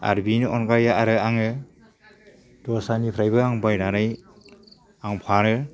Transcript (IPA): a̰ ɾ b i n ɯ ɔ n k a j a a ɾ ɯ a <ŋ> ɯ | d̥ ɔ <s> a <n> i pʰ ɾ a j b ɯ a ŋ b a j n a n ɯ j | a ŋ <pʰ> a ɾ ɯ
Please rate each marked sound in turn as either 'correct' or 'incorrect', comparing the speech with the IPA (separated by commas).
correct, correct, correct, correct